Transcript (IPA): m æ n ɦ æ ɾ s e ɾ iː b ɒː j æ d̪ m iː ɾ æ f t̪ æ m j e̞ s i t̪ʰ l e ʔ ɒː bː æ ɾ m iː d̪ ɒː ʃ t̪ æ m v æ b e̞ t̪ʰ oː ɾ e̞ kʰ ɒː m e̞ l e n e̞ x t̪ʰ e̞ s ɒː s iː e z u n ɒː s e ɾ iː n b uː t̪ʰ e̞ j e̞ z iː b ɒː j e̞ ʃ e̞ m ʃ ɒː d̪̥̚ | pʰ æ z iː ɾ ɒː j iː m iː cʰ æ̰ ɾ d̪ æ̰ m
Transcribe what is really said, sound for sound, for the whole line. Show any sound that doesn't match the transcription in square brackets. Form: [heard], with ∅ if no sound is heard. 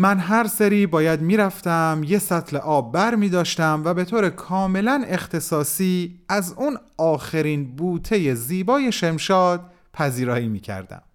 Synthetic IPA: m æ n ɦ æ ɾ s e ɾ iː b ɒː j æ d̪ m iː ɾ æ f t̪ æ m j e̞ s [æ] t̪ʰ l e ʔ ɒː bː æ ɾ m iː d̪ ɒː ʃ t̪ æ m v æ b e̞ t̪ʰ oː ɾ e̞ kʰ ɒː m e̞ l [æ] n e̞ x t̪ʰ e̞ s ɒː s iː [æ] z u n ɒː [x] e ɾ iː n b uː t̪ʰ e̞ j e̞ z iː b ɒː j e̞ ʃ e̞ m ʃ ɒː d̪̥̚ | pʰ æ z iː ɾ ɒː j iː m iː cʰ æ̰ ɾ d̪ æ̰ m